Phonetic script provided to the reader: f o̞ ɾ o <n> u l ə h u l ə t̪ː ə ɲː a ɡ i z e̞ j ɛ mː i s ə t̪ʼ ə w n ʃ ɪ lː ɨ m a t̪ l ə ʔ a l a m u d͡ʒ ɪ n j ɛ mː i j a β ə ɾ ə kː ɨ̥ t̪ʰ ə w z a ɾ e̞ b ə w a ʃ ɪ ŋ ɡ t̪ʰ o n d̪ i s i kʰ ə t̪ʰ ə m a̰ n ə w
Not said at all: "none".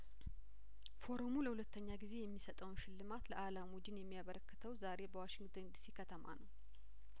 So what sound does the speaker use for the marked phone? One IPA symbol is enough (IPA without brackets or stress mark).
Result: m